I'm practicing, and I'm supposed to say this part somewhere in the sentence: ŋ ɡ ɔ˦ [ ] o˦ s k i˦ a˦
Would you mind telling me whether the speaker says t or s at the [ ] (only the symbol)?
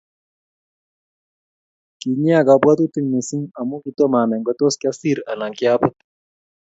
t